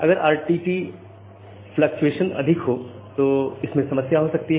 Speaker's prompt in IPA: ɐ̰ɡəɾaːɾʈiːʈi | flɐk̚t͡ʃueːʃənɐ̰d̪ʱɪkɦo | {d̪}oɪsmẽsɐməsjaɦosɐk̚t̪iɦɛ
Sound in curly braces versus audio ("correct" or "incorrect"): incorrect